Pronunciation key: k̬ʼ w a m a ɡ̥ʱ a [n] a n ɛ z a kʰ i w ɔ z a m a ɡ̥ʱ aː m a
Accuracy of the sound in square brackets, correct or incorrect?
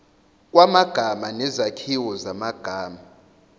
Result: incorrect